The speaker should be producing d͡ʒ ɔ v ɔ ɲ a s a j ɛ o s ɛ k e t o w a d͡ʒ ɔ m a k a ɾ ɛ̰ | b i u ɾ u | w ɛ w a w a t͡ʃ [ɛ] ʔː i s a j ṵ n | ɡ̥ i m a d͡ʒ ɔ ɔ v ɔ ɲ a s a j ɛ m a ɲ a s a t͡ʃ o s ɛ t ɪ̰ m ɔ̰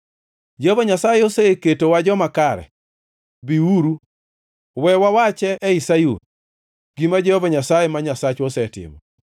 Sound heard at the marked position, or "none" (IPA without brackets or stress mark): ɛ